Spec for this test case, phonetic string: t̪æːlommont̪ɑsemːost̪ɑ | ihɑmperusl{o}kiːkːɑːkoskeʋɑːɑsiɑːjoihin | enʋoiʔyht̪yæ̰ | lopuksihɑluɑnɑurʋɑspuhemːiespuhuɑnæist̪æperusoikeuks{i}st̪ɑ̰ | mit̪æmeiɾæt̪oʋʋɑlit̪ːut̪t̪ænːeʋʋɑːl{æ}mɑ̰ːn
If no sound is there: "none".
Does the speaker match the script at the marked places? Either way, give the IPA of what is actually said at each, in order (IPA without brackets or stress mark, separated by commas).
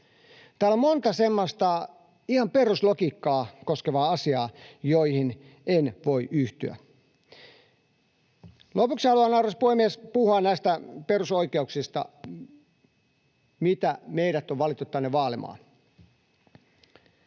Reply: o, i, i